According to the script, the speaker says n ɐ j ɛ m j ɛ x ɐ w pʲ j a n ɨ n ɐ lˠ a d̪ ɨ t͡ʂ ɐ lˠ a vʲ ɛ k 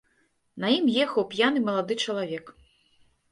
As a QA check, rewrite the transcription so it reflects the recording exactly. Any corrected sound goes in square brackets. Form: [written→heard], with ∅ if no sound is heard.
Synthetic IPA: n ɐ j [ɛ→i] m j ɛ x ɐ w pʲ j a n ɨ [n→m] ɐ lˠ a d̪ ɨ t͡ʂ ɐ lˠ a vʲ ɛ k